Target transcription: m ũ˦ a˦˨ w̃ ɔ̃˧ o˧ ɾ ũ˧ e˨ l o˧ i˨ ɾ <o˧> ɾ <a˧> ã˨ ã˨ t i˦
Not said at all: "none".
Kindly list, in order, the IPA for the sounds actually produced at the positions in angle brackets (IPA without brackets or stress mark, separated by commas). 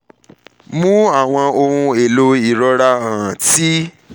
ɔ˧, a˧